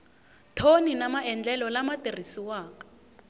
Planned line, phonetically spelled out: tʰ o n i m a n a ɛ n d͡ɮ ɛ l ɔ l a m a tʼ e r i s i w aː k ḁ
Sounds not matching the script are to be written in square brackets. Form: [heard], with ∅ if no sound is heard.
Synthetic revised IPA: tʰ o n i [n] a [m] a ɛ n d͡ɮ ɛ l ɔ l a m a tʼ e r i s i w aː k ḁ